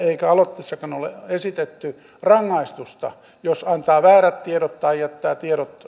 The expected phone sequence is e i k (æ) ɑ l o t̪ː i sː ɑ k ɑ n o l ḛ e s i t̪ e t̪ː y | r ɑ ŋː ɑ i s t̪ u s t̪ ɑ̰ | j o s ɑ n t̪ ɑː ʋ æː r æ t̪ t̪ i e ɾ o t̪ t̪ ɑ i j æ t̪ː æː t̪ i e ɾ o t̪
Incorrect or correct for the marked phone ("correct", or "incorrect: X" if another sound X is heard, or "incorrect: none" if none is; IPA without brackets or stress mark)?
correct